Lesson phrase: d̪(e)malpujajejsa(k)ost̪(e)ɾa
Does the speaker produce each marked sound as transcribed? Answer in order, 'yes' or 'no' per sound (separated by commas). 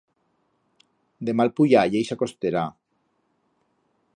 yes, yes, yes